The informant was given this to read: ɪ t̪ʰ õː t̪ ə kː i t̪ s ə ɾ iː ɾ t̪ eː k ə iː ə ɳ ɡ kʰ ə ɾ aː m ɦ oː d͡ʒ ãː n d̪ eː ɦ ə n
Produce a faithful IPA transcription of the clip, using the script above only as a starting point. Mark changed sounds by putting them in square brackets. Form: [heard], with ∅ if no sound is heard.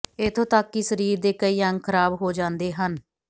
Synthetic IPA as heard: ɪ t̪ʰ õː t̪ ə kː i [∅] s ə ɾ iː ɾ [d̪] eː k ə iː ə [ŋ] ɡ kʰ ə ɾ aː [b] ɦ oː d͡ʒ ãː n d̪ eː ɦ ə n